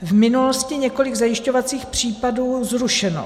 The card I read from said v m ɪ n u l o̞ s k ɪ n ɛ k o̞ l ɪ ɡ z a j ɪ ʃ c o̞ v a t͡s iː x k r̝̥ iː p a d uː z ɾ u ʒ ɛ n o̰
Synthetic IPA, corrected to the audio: v m ɪ n u l o̞ s c ɪ ɲ ɛ k o̞ l ɪ ɡ z a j ɪ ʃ c o̞ v a t͡s iː x p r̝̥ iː p a d uː z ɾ u ʃ ɛ n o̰